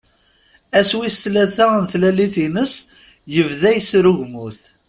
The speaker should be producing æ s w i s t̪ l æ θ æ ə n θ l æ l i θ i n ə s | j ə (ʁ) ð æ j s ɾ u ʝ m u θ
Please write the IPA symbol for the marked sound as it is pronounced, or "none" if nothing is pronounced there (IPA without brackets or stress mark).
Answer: v